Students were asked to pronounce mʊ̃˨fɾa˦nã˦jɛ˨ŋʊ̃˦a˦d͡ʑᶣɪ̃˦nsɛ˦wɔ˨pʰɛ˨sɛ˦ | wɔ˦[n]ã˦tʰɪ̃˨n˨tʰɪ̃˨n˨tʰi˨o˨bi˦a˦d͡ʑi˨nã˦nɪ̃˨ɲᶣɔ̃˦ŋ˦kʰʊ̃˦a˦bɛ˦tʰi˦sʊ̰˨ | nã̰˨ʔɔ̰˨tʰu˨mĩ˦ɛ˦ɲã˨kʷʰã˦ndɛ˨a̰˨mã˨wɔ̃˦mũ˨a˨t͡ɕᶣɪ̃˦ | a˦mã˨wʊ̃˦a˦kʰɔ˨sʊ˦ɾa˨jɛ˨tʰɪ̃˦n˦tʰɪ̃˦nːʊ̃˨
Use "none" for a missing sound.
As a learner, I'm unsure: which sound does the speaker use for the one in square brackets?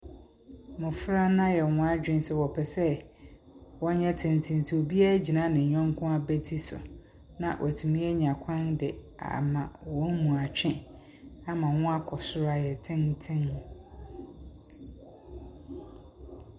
ɲ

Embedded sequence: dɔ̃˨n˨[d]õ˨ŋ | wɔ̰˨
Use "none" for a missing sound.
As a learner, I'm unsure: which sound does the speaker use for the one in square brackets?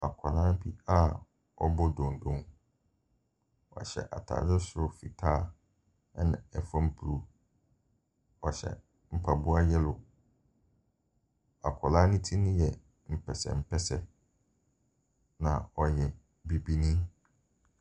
d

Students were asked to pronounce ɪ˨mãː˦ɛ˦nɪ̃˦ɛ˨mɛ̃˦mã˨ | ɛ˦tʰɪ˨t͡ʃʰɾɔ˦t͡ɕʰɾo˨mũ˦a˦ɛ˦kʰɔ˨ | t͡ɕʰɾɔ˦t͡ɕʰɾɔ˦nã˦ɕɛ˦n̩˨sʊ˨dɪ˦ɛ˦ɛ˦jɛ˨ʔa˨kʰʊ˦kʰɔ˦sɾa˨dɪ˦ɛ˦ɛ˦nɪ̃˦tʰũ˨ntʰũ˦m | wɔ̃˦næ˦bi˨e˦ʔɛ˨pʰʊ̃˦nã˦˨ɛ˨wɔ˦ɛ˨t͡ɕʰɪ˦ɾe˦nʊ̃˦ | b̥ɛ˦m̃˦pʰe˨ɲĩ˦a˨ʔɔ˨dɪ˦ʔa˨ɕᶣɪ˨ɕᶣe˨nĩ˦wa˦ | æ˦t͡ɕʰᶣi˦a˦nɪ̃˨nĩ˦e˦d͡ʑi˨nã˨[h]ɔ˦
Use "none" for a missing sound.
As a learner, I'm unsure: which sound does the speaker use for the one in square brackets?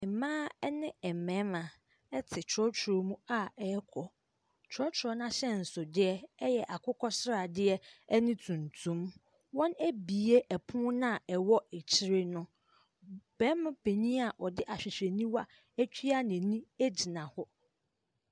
h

